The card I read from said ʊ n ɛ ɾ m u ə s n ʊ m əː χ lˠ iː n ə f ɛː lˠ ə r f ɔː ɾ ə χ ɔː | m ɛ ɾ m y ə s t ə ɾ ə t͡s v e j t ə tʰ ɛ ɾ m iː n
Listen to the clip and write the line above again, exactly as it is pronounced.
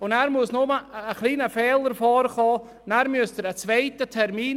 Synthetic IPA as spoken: ʊ n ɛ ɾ m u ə s n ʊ m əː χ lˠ iː n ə f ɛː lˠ ə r f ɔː ɾ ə χ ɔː | n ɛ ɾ m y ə s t ə ɾ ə t͡s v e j t ə tʰ ɛ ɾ m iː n